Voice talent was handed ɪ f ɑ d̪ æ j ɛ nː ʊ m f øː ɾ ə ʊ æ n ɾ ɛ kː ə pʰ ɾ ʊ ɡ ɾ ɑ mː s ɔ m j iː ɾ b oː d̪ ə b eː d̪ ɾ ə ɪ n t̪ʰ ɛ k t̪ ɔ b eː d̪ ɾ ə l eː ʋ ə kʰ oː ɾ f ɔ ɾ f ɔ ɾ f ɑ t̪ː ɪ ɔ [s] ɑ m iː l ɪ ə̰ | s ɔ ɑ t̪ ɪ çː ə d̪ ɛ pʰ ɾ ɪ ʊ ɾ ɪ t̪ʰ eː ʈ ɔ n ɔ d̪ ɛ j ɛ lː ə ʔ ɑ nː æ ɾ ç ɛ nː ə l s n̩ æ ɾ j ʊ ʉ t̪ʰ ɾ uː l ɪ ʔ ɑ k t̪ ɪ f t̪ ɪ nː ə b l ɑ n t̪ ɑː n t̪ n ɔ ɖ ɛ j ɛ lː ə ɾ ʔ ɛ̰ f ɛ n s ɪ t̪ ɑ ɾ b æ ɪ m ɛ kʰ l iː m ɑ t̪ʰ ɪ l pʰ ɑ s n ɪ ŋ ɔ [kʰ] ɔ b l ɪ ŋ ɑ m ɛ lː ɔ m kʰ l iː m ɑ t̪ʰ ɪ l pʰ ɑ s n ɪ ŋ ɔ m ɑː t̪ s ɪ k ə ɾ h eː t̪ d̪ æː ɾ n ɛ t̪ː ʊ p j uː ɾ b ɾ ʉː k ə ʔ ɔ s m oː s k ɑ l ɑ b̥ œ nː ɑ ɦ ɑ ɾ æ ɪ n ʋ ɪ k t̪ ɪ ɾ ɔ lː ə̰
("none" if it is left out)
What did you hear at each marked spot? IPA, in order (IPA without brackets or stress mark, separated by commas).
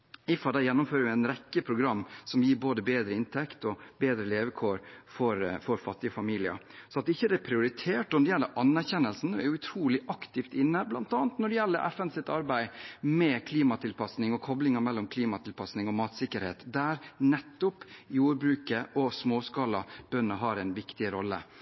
f, kʰ